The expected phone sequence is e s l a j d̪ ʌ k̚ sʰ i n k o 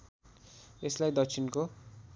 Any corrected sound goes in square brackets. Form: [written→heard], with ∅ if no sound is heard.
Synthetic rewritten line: e s l a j d̪ ʌ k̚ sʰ i n k o